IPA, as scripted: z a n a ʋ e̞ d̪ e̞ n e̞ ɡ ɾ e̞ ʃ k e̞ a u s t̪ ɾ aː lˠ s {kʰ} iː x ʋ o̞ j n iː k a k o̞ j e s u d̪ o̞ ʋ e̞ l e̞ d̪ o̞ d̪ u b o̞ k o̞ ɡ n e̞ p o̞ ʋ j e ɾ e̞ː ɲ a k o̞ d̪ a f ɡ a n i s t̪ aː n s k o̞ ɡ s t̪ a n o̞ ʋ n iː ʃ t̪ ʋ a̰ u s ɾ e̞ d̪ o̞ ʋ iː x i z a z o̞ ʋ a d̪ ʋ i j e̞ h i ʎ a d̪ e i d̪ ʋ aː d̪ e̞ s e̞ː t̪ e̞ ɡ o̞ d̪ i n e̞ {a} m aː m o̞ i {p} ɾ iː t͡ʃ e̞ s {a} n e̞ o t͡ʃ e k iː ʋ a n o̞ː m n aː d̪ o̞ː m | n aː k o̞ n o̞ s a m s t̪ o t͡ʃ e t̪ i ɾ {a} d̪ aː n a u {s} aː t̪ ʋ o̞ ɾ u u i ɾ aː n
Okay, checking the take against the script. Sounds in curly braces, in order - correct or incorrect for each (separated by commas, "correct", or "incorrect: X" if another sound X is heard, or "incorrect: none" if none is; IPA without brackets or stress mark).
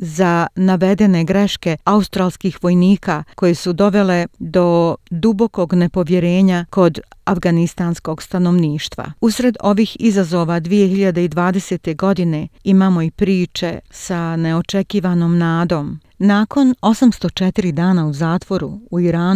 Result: incorrect: k, incorrect: i, correct, correct, incorrect: i, incorrect: z